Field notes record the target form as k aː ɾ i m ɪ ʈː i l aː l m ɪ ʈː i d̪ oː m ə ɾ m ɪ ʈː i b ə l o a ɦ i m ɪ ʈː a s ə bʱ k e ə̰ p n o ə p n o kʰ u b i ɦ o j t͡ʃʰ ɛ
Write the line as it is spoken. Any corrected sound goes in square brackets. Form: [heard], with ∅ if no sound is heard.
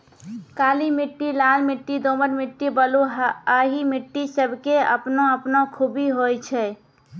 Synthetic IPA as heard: k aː [l] i m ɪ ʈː i l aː l m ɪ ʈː i d̪ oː m ə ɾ m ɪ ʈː i b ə l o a ɦ i m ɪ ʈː [i] s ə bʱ k e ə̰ p n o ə p n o kʰ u b i ɦ o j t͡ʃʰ ɛ